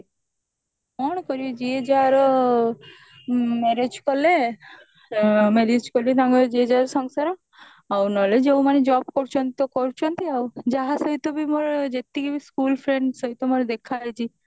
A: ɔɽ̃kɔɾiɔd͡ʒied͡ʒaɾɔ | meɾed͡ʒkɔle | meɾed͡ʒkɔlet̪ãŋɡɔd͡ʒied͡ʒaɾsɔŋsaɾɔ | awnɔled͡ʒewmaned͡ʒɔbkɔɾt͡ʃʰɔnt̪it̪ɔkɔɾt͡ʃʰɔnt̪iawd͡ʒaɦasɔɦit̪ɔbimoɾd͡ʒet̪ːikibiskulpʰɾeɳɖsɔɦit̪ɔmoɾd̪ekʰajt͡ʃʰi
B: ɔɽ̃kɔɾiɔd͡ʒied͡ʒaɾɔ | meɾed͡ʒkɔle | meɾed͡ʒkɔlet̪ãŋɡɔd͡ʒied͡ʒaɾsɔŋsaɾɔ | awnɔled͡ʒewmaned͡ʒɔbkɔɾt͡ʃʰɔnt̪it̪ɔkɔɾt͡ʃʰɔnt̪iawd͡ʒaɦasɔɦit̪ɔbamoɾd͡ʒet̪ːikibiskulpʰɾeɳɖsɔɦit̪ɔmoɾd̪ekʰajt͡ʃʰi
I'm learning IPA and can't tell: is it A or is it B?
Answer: A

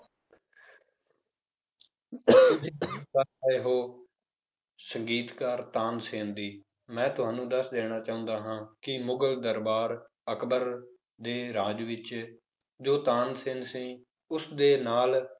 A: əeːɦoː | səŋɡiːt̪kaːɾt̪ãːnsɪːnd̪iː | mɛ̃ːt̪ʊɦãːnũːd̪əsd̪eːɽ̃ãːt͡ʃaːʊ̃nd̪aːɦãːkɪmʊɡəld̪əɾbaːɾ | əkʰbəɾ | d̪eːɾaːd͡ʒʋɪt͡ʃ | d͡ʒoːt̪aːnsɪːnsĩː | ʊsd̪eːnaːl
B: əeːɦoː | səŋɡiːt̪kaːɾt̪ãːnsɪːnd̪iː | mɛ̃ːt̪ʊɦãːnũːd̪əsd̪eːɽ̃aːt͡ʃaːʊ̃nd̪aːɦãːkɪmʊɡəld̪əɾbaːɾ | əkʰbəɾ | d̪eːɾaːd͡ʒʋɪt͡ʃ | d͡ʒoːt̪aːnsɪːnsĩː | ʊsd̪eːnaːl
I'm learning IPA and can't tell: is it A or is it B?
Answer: B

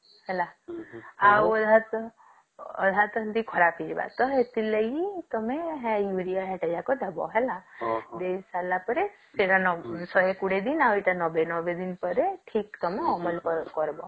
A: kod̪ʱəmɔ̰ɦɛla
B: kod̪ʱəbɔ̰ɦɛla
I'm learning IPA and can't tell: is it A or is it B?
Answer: B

